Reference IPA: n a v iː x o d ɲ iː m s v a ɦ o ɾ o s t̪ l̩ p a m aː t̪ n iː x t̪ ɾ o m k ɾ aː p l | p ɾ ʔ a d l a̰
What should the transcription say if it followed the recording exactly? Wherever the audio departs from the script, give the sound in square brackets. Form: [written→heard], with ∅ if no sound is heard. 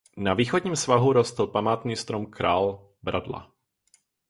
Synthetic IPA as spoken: n a v iː x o d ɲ iː m s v a ɦ [o→u] ɾ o s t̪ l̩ p a m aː t̪ n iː [x→s] t̪ ɾ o m k ɾ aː [p→∅] l | [p→b] ɾ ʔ a d l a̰